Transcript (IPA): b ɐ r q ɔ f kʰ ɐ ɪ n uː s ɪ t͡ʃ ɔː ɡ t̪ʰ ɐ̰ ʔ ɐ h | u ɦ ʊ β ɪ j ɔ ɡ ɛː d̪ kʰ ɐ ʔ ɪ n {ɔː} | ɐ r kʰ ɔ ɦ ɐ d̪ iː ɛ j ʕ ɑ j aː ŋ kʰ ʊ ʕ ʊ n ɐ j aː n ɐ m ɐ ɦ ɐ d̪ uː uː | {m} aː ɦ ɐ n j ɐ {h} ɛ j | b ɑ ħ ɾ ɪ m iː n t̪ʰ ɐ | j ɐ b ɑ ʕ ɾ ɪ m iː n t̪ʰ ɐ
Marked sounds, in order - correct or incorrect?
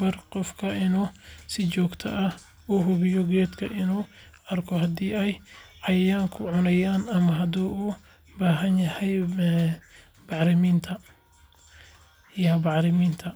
incorrect, incorrect, correct

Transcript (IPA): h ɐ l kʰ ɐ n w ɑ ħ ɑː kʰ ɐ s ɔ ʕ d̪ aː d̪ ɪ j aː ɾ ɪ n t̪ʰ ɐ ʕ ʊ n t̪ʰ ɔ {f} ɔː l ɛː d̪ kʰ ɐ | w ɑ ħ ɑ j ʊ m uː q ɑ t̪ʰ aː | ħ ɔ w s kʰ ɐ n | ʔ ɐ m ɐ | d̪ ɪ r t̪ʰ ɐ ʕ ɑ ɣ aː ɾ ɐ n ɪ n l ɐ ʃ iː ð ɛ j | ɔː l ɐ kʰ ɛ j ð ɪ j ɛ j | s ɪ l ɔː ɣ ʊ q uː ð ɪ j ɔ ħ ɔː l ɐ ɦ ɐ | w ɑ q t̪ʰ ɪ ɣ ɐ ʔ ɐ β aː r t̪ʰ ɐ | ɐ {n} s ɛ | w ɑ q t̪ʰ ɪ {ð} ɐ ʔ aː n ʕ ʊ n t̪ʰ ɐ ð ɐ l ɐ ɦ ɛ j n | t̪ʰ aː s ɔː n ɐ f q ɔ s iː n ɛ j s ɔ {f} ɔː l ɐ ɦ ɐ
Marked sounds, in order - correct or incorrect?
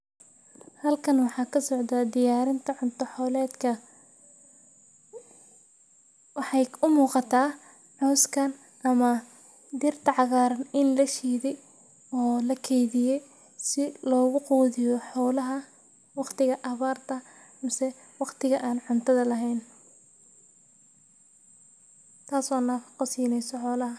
incorrect, incorrect, incorrect, incorrect

